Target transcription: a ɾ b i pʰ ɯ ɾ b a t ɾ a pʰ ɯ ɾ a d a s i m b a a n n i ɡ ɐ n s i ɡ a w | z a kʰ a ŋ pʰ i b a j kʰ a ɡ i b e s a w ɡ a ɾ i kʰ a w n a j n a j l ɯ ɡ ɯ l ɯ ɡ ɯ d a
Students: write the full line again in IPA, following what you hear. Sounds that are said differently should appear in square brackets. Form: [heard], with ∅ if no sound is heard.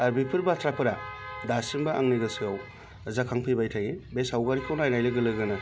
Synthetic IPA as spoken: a ɾ b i pʰ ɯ ɾ b a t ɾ a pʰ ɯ ɾ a d a s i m b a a [ŋ] n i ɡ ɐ [∅] s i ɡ a w | z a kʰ a ŋ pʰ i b a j [tʰ] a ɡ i b e s a w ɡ a ɾ i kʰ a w n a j n a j l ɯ ɡ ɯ l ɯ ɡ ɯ [n] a